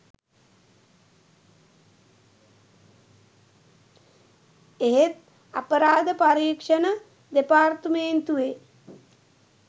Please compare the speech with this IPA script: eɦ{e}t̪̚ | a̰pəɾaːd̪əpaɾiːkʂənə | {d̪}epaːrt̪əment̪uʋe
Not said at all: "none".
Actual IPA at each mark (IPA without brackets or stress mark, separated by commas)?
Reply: e, d̪